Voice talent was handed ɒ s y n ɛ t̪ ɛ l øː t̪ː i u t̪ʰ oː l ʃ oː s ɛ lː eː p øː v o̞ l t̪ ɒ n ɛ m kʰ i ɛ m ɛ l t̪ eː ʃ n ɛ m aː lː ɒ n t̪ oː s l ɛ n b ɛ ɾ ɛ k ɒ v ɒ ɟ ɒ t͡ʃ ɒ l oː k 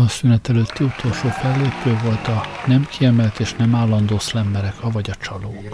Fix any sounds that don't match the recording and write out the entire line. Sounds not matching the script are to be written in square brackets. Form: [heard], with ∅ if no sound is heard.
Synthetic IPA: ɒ s y n ɛ t̪ ɛ l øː t̪ː i u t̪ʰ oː l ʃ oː [f] ɛ lː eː p øː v o̞ l t̪ ɒ n ɛ m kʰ i ɛ m ɛ l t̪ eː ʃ n ɛ m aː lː ɒ n [d̪] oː s l ɛ [m] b ɛ ɾ ɛ k ɒ v ɒ ɟ ɒ t͡ʃ ɒ l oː k